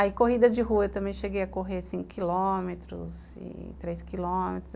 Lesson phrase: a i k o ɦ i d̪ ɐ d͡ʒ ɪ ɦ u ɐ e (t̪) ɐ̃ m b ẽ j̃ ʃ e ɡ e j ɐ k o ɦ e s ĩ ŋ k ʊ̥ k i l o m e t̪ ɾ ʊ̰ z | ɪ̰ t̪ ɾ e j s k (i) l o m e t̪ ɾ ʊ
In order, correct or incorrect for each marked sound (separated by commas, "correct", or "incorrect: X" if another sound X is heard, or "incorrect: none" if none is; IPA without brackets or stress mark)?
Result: correct, correct